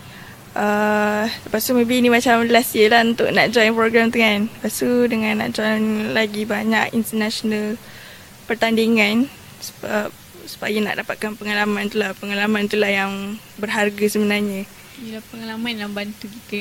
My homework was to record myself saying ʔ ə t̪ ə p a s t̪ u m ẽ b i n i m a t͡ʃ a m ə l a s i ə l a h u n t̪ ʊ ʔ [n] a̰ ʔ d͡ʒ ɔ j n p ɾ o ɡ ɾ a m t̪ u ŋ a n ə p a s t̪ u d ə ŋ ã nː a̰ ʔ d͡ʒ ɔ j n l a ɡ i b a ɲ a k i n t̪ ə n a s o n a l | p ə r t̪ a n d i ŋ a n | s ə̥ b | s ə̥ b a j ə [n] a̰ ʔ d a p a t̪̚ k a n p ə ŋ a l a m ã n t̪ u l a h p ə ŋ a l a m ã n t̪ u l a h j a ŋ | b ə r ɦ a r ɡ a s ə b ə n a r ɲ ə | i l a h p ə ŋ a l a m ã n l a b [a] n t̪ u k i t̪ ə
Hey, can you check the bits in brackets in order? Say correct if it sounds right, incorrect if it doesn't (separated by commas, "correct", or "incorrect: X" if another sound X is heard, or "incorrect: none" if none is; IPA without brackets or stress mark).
correct, correct, correct